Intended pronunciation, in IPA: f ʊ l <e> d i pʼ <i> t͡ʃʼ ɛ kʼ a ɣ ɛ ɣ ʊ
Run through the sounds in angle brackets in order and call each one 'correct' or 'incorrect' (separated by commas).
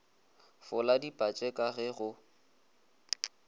incorrect, incorrect